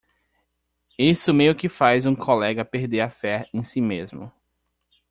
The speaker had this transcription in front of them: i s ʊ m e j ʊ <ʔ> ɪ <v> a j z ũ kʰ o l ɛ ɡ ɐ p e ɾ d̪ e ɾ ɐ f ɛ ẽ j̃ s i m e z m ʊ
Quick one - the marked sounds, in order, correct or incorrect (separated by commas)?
incorrect, incorrect